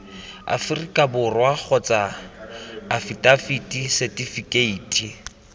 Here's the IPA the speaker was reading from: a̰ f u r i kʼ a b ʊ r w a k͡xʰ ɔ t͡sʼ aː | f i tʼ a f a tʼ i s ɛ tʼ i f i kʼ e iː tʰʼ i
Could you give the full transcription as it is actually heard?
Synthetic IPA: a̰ f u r i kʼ a b ʊ r w a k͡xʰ ɔ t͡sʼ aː | f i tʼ a f i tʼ i s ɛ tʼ i f i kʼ e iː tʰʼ i